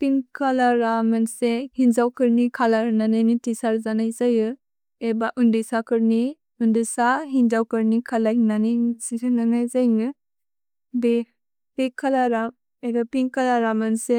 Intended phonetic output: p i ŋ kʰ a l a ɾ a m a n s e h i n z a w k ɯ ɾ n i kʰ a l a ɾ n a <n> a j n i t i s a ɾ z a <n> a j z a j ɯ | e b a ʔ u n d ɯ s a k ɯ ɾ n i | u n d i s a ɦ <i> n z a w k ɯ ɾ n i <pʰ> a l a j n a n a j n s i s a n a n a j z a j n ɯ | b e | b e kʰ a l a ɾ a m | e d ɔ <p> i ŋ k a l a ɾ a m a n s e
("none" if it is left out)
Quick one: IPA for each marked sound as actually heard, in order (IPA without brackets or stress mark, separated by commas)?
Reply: n, n, i, kʰ, p